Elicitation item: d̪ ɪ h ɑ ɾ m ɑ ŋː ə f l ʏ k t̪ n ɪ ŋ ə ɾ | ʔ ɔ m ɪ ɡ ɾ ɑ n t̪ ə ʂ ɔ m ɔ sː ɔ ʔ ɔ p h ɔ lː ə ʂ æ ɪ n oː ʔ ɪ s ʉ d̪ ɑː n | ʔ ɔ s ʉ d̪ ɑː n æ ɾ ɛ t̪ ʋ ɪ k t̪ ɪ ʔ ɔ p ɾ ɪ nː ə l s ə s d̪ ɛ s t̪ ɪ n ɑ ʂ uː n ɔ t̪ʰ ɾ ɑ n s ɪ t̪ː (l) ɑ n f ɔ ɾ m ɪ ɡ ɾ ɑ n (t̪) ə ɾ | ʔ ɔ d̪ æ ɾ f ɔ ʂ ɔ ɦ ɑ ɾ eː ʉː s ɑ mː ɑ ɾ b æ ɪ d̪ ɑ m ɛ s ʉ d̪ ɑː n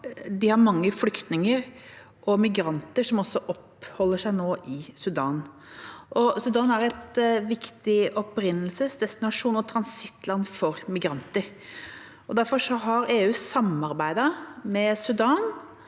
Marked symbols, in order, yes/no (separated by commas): yes, yes